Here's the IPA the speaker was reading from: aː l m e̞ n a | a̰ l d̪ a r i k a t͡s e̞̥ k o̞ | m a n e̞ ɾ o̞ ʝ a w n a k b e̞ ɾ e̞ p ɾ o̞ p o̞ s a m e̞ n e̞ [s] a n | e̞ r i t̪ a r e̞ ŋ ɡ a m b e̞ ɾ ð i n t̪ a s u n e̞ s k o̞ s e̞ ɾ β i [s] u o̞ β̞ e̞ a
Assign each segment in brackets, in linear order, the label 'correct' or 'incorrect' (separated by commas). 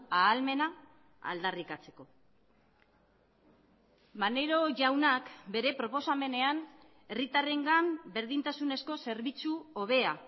incorrect, incorrect